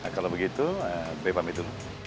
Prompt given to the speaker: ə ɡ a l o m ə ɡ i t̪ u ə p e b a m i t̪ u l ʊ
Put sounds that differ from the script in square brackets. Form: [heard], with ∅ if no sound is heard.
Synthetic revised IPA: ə [k] a l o [b] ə ɡ i t̪ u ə [b] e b a m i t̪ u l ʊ